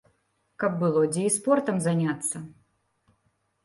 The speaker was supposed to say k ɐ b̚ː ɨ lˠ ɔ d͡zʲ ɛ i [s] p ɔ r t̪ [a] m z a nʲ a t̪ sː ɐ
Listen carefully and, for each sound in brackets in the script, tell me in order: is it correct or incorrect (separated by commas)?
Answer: correct, incorrect